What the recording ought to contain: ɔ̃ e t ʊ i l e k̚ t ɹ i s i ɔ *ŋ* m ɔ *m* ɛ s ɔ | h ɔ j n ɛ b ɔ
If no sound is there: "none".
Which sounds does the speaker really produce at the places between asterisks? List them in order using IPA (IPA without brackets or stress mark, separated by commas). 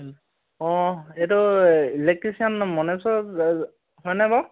n, n